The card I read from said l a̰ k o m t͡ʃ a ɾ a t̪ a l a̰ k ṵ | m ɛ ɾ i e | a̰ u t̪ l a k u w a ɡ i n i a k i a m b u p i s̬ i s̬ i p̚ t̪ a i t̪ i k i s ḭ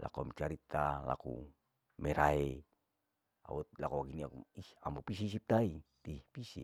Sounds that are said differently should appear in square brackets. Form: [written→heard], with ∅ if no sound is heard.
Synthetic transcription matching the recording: l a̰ k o m t͡ʃ a ɾ [a→i] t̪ a l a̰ k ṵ | m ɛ ɾ [i→a] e | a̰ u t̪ l a k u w a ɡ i n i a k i a m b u p i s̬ i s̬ i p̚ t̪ a i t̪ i [k→p] i s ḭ

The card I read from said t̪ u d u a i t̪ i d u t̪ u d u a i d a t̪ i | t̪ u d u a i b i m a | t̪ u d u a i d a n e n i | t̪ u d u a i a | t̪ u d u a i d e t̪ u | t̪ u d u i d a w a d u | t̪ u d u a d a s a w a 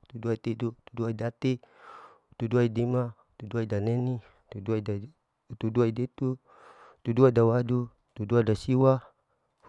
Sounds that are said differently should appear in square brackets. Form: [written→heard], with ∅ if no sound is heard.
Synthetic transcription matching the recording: t̪ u d u a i t̪ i d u t̪ u d u a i d a t̪ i | t̪ u d u a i [b→d] i m a | t̪ u d u a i d a n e n i | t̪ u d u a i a | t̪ u d u a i d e t̪ u | t̪ u d u [i→a] d a w a d u | t̪ u d u a d a s [a→i] w a

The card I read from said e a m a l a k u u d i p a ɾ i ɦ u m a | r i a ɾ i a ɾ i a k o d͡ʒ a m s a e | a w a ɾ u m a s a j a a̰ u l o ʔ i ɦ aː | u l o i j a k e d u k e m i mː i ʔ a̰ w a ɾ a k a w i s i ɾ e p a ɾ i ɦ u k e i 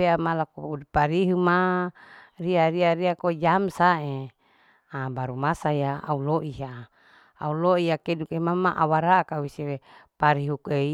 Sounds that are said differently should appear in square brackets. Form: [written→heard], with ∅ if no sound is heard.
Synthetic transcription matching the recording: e a m a l a k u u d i p a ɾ i ɦ u m a | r i a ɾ i a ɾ i a k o d͡ʒ a m s a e | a [w→b] a ɾ u m a s a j a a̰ u l o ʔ i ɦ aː | u l o i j a k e d u k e m [i→a] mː [i→a] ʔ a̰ w a ɾ a k a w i s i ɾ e p a ɾ i ɦ u k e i

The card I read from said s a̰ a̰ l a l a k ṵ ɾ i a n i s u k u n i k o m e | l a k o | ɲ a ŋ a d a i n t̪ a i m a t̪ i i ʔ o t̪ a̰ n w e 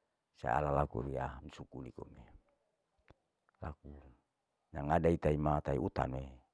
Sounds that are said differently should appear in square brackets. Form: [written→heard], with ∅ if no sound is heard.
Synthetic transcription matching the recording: s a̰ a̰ l a l a k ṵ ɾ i a [n→m] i s u k u n i k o m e | l a k [o→u] | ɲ a ŋ a d a i [n→∅] t̪ a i m a t̪ [i→a] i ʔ [o→u] t̪ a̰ n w e

